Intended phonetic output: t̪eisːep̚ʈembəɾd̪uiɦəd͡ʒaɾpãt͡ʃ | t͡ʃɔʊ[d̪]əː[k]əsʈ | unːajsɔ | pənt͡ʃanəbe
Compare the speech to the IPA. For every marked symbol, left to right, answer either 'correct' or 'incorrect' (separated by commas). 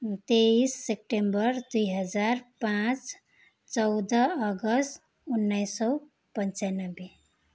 correct, incorrect